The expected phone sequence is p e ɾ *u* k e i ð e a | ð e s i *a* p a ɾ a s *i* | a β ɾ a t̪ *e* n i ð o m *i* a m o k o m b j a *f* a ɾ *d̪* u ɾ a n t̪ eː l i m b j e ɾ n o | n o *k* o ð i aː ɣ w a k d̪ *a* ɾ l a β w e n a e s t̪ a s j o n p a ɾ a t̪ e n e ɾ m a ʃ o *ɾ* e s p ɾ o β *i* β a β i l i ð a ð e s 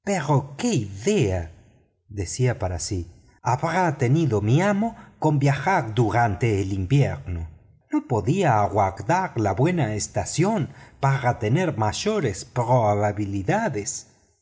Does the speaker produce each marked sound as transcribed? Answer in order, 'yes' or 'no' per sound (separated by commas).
no, yes, yes, yes, yes, no, yes, no, yes, yes, no